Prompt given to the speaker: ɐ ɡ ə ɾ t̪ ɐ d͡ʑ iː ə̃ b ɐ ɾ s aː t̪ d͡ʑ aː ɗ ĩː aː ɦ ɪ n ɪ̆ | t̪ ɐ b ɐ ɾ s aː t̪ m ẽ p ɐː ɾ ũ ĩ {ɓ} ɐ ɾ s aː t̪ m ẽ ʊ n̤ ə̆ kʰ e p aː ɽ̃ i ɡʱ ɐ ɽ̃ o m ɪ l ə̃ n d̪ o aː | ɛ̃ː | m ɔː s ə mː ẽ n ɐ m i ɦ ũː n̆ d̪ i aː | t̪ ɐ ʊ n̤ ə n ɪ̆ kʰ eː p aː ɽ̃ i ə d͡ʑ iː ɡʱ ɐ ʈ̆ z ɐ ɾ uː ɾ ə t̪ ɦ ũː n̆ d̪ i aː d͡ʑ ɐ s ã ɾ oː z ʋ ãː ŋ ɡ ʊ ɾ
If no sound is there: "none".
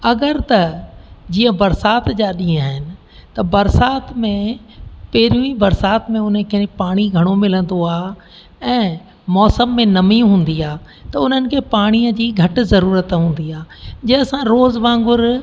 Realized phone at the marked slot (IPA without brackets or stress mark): b